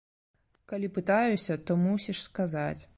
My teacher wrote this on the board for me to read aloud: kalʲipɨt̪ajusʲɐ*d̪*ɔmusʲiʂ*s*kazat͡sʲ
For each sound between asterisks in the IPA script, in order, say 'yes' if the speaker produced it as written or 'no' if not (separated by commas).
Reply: no, yes